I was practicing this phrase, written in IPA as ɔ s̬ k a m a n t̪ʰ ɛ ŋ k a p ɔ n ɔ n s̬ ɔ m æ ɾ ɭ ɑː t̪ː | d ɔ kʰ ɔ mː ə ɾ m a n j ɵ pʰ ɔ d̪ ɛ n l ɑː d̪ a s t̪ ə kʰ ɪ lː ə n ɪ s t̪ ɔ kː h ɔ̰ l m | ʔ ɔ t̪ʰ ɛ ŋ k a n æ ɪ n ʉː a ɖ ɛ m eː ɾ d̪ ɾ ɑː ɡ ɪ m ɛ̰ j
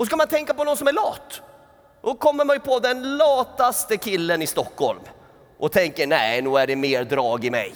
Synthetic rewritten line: ɔ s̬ k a m a n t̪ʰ ɛ ŋ k a p ɔ n ɔ n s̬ ɔ m æ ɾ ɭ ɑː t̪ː | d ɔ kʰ ɔ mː ə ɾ m a n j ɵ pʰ ɔ d̪ ɛ n l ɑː t̪ a s t̪ ə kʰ ɪ lː ə n ɪ s t̪ ɔ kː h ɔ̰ l m | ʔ ɔ t̪ʰ ɛ ŋ k ə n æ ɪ n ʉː æ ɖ ɛ m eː ɾ d̪ ɾ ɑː ɡ ɪ m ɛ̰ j